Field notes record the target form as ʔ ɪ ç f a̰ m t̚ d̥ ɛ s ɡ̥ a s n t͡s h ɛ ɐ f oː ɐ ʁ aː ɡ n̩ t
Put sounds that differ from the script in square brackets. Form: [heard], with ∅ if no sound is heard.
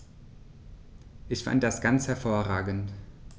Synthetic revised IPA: ʔ ɪ ç f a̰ [n] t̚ d̥ [a] s ɡ̥ a [∅] n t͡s h ɛ ɐ f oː ɐ ʁ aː ɡ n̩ t